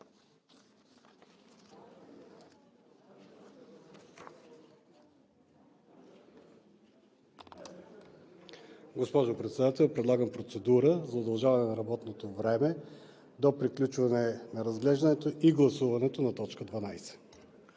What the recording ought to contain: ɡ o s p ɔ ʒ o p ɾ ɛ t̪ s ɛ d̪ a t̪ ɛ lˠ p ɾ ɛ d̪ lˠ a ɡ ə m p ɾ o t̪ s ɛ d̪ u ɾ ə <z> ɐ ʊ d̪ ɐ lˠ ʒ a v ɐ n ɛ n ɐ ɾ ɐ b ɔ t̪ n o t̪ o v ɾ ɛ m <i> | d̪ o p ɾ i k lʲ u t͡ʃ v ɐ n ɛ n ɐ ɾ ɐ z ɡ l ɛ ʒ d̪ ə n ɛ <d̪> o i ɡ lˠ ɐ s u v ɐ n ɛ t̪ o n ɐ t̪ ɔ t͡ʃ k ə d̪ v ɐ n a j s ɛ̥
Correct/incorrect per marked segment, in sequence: correct, incorrect: ɛ, incorrect: t̪

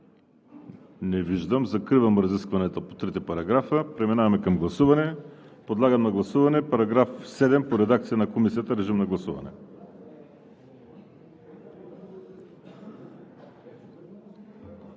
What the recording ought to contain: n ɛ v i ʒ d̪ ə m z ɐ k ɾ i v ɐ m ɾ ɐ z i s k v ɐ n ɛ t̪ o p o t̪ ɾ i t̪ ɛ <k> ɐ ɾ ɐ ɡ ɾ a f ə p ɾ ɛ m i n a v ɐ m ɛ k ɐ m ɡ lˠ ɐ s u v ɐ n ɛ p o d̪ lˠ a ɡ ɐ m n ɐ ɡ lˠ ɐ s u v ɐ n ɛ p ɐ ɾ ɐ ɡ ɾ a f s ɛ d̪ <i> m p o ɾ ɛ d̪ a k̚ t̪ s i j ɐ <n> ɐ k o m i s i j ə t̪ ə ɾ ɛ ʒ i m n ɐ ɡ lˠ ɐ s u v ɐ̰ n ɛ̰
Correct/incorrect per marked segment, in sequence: incorrect: p, incorrect: ɛ, correct

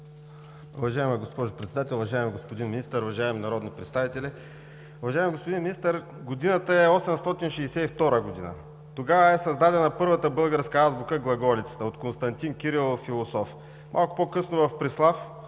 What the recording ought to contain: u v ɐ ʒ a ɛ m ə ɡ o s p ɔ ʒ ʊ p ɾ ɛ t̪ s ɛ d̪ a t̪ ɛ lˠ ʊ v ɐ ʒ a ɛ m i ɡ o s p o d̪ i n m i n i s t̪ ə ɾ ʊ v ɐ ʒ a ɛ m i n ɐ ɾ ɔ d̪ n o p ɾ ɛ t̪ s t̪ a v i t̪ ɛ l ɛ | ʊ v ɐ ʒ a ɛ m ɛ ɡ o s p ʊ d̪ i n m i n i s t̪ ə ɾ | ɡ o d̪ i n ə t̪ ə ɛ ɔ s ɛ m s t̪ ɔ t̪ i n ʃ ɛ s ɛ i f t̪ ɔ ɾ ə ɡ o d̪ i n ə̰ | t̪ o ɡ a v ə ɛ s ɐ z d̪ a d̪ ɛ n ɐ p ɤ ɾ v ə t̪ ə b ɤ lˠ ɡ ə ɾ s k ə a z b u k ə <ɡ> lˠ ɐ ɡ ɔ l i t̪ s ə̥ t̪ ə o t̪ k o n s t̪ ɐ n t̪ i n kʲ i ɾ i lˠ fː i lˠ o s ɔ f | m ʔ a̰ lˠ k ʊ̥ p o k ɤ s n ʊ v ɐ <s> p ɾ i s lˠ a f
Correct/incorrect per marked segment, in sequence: correct, incorrect: f

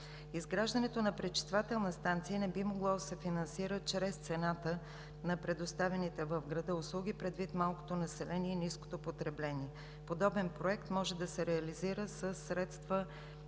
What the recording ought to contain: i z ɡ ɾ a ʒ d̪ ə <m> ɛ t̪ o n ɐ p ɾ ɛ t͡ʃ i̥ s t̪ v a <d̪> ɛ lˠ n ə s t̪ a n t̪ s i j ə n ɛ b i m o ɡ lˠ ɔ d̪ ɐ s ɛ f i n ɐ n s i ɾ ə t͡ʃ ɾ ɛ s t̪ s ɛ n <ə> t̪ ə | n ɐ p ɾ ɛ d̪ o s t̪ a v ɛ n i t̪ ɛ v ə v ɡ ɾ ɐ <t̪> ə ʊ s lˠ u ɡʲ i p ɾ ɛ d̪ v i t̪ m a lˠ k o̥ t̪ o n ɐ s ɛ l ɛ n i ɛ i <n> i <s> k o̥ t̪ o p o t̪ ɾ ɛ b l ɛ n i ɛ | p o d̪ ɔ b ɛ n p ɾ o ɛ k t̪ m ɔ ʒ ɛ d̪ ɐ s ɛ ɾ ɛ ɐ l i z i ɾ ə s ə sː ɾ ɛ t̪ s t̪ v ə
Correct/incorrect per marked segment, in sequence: incorrect: n, incorrect: t̪, incorrect: a, incorrect: d̪, correct, correct

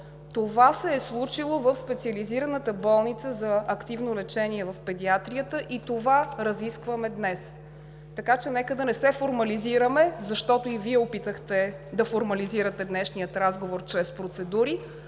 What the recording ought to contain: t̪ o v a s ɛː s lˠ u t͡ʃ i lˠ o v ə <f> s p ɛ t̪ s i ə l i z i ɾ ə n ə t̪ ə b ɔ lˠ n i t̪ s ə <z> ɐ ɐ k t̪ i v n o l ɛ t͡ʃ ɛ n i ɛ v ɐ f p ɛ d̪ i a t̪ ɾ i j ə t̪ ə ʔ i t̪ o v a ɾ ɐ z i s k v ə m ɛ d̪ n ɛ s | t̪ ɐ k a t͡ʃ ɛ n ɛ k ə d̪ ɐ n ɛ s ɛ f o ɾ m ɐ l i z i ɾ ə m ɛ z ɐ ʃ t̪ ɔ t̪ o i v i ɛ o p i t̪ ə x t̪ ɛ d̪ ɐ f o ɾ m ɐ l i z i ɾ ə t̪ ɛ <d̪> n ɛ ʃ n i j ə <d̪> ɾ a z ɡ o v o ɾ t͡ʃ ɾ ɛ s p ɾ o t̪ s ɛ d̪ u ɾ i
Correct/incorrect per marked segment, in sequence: correct, correct, correct, incorrect: t̪

